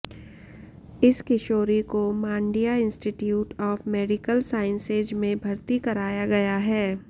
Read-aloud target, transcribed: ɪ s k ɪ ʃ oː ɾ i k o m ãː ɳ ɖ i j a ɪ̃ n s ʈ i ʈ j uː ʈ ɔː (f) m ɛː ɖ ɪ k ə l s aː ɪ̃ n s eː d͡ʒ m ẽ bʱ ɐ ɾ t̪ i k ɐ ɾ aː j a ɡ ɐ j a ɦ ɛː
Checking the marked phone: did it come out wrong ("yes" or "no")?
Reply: no